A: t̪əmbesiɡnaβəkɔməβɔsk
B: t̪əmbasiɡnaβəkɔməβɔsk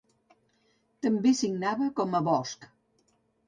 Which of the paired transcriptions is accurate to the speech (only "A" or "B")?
A